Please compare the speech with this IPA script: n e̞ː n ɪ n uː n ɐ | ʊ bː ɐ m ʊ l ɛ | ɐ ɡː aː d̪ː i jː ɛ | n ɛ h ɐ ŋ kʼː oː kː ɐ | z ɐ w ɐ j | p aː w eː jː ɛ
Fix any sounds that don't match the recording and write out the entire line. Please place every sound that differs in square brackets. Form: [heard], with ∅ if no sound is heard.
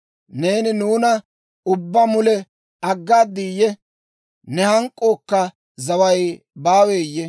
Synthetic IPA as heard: n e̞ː n ɪ n uː n ɐ | ʊ bː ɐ m ʊ l ɛ | ɐ ɡː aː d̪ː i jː ɛ | n ɛ h ɐ ŋ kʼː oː kː ɐ | z ɐ w ɐ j | [b] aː w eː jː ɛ